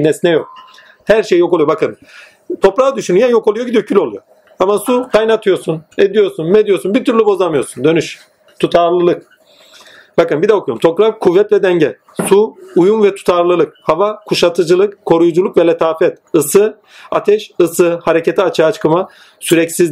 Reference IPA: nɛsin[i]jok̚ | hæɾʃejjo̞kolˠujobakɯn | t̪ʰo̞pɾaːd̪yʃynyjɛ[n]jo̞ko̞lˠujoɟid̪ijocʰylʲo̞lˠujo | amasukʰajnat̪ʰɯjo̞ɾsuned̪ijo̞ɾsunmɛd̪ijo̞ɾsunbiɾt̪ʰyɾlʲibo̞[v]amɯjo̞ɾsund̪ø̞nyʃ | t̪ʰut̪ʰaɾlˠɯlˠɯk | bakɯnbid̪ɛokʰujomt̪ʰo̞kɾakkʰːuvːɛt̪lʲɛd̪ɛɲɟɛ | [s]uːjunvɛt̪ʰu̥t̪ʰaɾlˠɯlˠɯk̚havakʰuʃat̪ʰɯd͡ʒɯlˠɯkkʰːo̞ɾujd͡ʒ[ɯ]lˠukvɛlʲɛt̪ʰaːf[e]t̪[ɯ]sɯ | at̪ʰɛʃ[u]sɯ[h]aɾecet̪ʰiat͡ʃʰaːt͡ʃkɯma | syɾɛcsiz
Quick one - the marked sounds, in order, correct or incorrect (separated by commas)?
incorrect, correct, incorrect, correct, incorrect, incorrect, correct, incorrect, correct